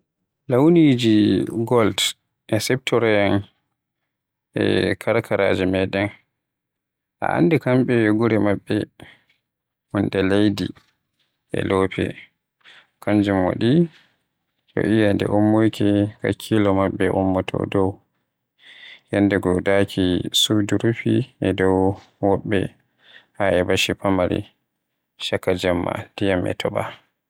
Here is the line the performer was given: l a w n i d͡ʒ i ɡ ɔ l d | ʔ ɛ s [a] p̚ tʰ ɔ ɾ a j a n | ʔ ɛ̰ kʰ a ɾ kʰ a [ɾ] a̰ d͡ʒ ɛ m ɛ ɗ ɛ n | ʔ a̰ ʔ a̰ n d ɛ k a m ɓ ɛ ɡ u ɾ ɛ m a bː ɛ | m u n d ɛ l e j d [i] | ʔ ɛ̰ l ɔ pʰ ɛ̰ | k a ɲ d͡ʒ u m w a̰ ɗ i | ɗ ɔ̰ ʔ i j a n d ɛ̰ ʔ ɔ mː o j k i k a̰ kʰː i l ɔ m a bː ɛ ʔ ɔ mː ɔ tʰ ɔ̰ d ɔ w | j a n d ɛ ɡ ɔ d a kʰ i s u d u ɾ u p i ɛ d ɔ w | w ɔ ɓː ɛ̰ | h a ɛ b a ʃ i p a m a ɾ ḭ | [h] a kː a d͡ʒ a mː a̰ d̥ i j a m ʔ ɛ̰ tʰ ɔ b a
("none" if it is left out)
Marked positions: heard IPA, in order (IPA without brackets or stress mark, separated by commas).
ɛ, ɾ, i, ʃ